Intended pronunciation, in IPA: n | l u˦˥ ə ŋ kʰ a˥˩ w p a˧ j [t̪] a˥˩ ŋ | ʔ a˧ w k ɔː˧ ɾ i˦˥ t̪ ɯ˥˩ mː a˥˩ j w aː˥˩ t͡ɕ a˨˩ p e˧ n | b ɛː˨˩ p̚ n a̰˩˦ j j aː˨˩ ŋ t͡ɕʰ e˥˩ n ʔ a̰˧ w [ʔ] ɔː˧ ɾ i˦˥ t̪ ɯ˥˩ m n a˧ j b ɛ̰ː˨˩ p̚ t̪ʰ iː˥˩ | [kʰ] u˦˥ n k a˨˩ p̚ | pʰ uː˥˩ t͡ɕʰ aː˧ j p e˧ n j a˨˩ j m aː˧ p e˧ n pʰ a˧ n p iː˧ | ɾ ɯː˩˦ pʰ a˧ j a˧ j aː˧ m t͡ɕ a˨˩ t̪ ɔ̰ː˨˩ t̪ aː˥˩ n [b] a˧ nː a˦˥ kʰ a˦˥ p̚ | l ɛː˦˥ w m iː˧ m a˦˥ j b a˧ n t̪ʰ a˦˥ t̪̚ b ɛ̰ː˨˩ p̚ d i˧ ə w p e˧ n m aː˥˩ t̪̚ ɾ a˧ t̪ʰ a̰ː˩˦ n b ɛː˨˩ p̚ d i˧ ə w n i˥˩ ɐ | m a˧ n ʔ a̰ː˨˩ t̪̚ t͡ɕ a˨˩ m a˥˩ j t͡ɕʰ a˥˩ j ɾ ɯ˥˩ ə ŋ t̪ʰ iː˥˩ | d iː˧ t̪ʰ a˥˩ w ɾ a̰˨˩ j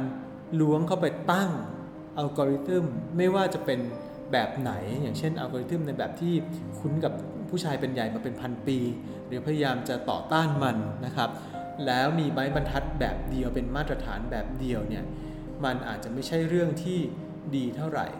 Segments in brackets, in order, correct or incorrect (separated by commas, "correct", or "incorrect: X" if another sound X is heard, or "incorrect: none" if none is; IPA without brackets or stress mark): correct, incorrect: k, correct, incorrect: m